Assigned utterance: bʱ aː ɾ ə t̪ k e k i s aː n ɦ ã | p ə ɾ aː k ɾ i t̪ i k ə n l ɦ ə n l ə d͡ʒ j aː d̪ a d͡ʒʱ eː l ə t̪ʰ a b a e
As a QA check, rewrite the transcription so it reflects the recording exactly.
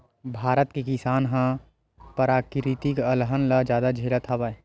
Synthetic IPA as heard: bʱ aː ɾ ə t̪ k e k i s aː n ɦ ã | p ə ɾ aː k ɾ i t̪ i k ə l ɦ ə n l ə d͡ʒ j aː d̪ a d͡ʒʱ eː l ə t̪ʰ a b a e